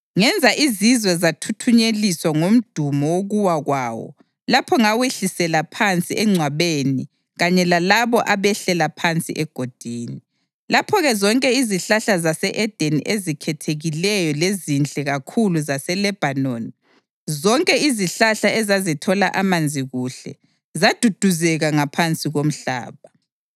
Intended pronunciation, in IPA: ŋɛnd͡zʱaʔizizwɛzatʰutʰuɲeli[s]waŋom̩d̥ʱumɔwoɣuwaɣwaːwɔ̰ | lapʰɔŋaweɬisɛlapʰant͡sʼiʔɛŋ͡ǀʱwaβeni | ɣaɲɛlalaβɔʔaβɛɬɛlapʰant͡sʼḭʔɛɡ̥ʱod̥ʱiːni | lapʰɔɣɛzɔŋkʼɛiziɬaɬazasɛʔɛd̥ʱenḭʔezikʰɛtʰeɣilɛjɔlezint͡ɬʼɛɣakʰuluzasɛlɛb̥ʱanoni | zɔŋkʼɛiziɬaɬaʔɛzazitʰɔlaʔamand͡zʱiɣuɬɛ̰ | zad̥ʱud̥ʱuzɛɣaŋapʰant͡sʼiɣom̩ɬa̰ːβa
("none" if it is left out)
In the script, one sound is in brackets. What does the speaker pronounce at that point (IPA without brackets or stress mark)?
s